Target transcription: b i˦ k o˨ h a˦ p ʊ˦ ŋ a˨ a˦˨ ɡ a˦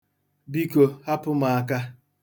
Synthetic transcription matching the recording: b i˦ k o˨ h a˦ p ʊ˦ m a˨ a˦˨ k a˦